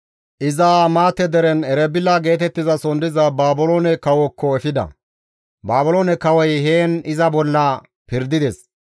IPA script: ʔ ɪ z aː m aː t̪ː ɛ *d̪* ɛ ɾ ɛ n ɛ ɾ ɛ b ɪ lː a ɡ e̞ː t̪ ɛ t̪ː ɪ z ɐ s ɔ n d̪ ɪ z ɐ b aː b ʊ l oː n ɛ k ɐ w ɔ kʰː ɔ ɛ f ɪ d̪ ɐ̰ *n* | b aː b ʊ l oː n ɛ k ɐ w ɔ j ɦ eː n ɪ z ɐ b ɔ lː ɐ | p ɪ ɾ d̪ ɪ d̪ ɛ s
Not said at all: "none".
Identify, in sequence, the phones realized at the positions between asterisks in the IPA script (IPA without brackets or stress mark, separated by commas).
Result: d̪, none